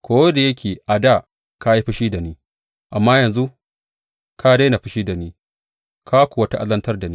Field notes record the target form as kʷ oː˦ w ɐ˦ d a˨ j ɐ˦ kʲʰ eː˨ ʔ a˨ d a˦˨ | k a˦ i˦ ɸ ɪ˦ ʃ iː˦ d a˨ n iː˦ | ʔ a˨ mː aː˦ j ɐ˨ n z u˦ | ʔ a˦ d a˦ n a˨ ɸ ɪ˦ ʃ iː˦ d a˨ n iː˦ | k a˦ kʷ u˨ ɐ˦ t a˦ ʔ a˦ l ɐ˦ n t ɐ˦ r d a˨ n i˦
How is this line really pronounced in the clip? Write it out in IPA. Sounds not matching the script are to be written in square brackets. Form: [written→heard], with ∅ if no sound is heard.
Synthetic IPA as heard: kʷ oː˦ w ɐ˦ d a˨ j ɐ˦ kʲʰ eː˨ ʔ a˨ d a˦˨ | k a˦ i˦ ɸ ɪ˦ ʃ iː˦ d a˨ n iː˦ | ʔ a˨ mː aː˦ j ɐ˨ n z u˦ | [ʔ→k] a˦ d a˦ n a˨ ɸ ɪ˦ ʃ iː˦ d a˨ n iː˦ | k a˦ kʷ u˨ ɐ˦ t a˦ ʔ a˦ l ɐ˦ n t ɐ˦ r d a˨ n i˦